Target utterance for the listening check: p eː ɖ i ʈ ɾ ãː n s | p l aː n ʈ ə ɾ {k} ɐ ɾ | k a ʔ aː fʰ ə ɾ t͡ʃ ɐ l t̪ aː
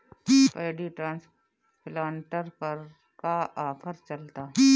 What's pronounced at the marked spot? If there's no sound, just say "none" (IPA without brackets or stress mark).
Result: p